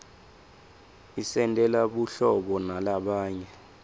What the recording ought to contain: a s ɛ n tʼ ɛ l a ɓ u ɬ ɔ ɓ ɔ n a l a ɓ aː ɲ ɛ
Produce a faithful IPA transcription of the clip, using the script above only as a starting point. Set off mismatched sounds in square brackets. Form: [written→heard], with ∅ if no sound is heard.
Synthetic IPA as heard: [a→i] s ɛ n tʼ ɛ l a ɓ u ɬ ɔ ɓ ɔ n a l a ɓ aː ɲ ɛ